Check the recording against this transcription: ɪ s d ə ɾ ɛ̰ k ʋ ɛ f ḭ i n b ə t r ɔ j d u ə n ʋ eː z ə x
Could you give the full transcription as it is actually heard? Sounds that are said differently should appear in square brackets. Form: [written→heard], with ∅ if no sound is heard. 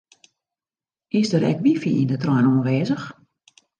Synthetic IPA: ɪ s d ə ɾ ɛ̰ k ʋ [ɛ→i] f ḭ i n [b→d] ə t r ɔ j [d→n] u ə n ʋ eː z ə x